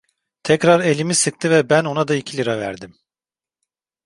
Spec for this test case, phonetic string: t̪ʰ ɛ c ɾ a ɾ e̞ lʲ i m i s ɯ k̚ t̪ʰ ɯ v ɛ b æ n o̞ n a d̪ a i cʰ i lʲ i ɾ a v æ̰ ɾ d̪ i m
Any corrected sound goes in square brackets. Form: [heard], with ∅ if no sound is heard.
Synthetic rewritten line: t̪ʰ ɛ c ɾ a ɾ e̞ lʲ i m i s ɯ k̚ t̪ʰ ɯ v ɛ b æ n o̞ n a d̪ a i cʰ i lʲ i ɾ a v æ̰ ɾ d̪ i m